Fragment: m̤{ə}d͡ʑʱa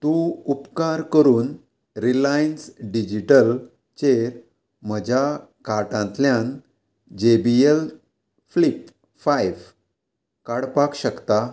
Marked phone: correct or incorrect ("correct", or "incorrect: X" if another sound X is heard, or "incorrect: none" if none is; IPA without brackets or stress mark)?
correct